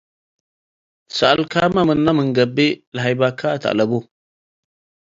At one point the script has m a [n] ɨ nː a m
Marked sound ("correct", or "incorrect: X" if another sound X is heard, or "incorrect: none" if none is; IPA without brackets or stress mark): incorrect: m